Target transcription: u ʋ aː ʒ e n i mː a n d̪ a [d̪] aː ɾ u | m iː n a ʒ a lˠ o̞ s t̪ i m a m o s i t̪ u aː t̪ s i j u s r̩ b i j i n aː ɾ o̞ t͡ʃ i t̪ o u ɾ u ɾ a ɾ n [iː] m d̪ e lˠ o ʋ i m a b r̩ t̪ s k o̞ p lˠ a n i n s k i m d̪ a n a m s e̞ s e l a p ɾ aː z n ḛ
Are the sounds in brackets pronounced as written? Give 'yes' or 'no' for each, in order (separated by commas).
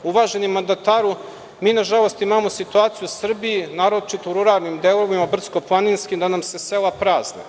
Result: no, no